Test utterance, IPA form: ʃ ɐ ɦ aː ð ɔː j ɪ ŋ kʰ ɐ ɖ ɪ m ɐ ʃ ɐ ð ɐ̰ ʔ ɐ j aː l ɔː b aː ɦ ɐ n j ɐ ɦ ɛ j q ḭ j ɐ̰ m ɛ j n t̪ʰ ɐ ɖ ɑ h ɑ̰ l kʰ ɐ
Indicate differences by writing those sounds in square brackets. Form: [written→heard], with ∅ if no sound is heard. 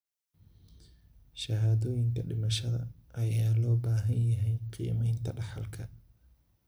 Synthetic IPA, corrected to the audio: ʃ ɐ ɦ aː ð ɔː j ɪ ŋ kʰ ɐ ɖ ɪ m ɐ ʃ ɐ ð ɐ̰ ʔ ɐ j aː l ɔː b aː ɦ ɐ n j ɐ ɦ ɛ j q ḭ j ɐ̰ m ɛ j n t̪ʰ ɐ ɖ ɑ [h→ħ] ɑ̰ l kʰ ɐ